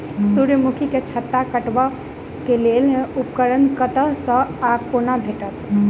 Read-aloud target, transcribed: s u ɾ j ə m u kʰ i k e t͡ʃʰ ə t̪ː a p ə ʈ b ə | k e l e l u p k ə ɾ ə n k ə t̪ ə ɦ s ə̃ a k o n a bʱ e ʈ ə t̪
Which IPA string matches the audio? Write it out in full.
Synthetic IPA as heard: s u ɾ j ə m u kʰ i k e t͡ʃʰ ə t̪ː a k ə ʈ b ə | k e l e l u p k ə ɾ ə n k ə t̪ ə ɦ s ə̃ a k o n a bʱ e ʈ ə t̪